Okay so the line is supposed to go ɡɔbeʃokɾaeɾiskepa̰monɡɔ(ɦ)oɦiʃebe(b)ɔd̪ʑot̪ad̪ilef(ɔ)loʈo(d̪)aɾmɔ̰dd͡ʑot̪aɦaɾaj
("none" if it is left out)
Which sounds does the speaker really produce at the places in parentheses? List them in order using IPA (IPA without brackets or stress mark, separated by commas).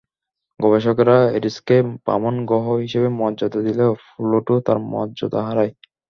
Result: ɦ, m, u, t̪